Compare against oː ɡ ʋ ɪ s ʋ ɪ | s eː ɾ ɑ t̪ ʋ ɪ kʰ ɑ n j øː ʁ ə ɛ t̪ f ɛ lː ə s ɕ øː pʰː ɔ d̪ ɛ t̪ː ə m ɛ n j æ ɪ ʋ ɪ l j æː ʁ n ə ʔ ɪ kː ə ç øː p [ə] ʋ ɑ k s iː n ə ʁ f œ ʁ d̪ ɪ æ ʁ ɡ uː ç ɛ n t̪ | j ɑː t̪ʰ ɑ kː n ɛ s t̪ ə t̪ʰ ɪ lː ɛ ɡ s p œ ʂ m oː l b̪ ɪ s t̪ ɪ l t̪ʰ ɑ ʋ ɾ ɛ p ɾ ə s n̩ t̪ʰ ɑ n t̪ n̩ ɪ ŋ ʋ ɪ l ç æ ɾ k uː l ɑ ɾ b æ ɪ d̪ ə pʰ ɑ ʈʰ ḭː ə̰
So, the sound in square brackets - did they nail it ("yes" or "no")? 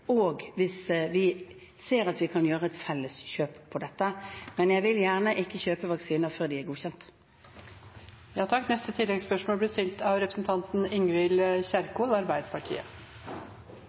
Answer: yes